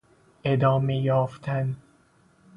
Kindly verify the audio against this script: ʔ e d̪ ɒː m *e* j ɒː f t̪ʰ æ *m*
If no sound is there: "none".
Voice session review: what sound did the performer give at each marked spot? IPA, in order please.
e, n

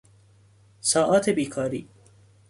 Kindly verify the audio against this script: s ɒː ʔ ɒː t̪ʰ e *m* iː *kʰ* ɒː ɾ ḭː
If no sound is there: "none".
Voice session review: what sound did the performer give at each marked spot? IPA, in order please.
b, kʰ

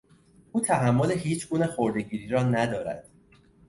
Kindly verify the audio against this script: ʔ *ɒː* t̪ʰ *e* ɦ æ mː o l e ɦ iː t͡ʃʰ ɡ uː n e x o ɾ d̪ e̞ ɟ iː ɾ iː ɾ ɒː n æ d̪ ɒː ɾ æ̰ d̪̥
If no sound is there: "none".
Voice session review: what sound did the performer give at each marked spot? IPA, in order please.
uː, æ

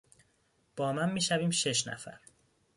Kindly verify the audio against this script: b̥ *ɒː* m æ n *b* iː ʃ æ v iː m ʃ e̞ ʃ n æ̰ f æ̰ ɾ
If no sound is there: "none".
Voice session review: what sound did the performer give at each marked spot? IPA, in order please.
ɒː, m

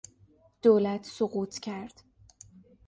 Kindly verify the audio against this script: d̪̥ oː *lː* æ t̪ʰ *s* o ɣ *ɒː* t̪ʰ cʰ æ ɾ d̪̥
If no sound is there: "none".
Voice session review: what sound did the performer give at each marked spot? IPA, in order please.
l, s, uː

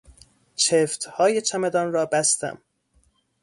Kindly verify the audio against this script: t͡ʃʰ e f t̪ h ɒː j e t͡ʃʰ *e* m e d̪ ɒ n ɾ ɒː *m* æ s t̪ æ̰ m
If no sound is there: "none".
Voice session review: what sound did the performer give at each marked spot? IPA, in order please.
æ, b

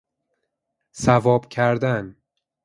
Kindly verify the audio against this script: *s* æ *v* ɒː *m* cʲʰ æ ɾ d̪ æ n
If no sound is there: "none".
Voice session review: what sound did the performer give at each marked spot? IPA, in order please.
s, v, b

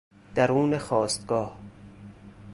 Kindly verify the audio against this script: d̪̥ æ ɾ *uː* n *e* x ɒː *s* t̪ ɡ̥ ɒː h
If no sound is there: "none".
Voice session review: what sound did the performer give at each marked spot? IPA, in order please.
uː, e, s

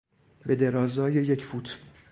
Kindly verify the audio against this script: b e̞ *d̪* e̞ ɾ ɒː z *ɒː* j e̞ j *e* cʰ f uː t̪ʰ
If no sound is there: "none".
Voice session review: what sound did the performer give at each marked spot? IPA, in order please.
d̪, ɒː, e

